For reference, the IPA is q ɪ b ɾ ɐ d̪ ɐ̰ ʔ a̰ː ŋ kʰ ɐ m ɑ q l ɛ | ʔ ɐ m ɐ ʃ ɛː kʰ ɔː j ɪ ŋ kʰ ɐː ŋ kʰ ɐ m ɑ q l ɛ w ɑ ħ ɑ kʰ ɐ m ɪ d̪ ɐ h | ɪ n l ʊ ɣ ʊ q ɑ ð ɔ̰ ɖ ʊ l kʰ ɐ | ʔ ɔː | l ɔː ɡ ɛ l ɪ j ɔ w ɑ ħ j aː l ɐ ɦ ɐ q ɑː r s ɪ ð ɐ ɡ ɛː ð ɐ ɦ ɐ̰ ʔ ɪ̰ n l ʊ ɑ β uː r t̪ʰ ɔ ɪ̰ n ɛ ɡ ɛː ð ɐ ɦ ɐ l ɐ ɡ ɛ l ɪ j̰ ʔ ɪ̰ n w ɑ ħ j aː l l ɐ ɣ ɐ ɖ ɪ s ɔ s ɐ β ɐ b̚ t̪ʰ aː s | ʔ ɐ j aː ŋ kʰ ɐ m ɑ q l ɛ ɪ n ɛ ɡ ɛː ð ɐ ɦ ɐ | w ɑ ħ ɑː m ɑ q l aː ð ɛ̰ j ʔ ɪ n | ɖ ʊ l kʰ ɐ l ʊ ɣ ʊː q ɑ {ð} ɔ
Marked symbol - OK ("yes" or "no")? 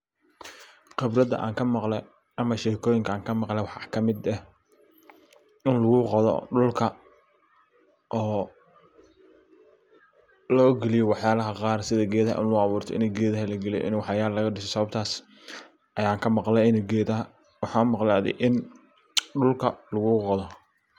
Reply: yes